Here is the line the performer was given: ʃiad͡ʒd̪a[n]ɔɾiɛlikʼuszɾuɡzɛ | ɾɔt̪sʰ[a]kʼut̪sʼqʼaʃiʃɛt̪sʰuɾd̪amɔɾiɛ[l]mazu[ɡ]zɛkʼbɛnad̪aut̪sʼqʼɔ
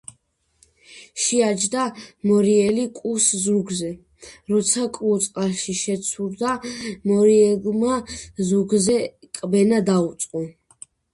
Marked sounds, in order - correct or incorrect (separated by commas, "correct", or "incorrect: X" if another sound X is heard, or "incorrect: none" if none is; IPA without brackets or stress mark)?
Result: incorrect: m, correct, correct, correct